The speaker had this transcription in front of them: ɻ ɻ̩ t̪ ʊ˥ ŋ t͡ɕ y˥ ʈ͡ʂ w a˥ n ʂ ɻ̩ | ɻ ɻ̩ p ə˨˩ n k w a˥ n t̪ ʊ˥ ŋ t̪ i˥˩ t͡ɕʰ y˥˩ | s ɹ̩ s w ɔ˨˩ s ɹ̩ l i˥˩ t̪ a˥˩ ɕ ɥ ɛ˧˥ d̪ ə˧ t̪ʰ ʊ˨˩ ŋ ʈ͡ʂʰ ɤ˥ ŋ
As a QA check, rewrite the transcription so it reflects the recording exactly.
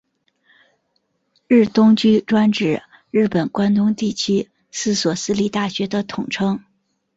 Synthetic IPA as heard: ɻ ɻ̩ t̪ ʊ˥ ŋ t͡ɕ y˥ ʈ͡ʂ w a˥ n ʈ͡ʂ ɻ̩ | ɻ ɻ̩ p ə˨˩ n k w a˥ n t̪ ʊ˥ ŋ t̪ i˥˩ t͡ɕʰ y˥ | s ɹ̩ s w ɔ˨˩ s ɹ̩ l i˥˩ t̪ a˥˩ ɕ ɥ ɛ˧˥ d̪ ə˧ t̪ʰ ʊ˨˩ ŋ ʈ͡ʂʰ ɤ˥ ŋ

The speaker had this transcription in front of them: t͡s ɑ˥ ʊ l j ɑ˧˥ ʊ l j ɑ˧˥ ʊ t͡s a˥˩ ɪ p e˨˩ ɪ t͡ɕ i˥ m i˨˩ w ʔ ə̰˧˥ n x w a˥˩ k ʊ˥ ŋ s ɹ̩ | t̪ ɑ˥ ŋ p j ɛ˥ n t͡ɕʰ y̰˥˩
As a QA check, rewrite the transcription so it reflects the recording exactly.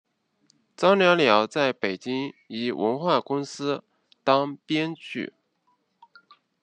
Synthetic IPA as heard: t͡s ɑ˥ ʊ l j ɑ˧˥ ʊ l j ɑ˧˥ ʊ t͡s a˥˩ ɪ p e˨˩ ɪ t͡ɕ i˥ ŋ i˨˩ w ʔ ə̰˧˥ n x w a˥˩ k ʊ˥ ŋ s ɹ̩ | t̪ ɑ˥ ŋ p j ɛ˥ n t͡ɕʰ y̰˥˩

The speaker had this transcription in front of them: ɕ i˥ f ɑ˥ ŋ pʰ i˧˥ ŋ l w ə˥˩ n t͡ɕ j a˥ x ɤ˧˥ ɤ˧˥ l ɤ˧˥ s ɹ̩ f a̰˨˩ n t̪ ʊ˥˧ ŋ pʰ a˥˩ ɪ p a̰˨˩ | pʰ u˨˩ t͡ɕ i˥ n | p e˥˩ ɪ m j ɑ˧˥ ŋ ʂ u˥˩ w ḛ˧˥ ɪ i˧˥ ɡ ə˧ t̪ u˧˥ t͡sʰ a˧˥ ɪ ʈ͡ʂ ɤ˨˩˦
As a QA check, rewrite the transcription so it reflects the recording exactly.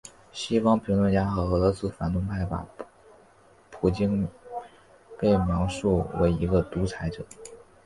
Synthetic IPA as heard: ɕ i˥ f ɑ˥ ŋ pʰ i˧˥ ŋ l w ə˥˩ n t͡ɕ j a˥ x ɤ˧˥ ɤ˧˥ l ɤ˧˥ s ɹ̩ f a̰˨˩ n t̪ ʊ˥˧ ŋ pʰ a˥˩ ɪ p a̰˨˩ | pʰ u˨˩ t͡ɕ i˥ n | p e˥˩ ɪ m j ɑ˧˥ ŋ ʂ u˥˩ w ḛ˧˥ ɪ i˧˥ ɡ ə˧ t̪ u˧˥ t͡sʰ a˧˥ ɪ ʈ͡ʂ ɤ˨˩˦

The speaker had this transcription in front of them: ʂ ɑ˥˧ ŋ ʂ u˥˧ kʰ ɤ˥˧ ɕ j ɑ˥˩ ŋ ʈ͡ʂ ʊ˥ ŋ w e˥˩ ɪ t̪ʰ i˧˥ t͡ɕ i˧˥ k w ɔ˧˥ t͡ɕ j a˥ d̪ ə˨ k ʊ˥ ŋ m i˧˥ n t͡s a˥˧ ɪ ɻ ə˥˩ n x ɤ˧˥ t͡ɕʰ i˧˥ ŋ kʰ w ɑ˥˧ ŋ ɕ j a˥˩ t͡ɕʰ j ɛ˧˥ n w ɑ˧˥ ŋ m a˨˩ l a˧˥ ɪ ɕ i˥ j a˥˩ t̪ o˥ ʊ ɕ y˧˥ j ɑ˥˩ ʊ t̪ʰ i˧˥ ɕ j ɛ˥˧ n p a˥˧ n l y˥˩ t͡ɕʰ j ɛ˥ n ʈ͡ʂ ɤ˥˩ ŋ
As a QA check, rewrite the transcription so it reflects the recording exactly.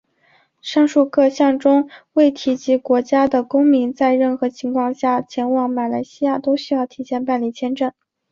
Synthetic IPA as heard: ʂ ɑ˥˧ ŋ ʂ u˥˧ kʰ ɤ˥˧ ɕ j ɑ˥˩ ŋ ʈ͡ʂ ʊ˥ ŋ w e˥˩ ɪ t̪ʰ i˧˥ t͡ɕ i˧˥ k w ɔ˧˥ t͡ɕ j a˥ d̪ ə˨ k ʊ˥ ŋ m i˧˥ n t͡s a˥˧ ɪ ɻ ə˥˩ n x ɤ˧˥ t͡ɕʰ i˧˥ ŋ kʰ w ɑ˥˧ ŋ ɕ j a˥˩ t͡ɕʰ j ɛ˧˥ n w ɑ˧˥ ŋ m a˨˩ l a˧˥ ɪ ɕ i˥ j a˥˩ t̪ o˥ ʊ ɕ y˥ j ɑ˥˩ ʊ t̪ʰ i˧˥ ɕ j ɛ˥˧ n p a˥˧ n l i˥˩ t͡ɕʰ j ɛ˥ n ʈ͡ʂ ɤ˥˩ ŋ

